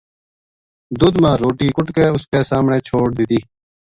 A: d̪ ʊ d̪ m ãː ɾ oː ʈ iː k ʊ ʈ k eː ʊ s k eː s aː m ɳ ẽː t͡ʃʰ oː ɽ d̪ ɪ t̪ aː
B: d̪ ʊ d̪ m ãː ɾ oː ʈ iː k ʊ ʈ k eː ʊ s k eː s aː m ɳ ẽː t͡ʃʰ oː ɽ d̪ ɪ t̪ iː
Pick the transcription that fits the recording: B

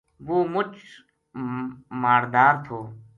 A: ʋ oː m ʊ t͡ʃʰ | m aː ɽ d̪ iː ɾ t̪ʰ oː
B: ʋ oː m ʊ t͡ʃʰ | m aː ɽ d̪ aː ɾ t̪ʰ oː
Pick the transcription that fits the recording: B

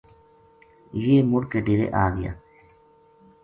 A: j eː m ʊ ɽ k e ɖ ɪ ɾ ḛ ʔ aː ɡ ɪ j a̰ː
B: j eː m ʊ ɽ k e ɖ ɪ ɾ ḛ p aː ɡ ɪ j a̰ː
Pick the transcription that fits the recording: A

